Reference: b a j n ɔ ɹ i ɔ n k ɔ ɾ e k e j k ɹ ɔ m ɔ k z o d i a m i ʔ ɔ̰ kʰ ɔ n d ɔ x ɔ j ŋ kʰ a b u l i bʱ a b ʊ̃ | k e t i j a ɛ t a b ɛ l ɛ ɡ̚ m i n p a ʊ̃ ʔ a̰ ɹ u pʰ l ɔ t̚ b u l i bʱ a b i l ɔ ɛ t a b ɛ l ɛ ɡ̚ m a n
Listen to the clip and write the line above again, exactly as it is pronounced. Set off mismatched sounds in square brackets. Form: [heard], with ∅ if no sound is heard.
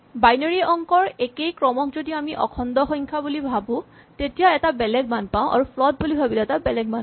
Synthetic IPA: b a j n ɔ ɹ i ɔ [ŋ] k ɔ [ɹ] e k e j k ɹ ɔ m ɔ k z o d i a m i ʔ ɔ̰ kʰ ɔ n d ɔ x ɔ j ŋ kʰ a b u l i bʱ a b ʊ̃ | [t] e t i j a ɛ t a b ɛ l ɛ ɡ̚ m [a] n p a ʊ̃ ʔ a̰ ɹ u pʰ l ɔ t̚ b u l i bʱ a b i l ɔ ɛ t a b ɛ l ɛ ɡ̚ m a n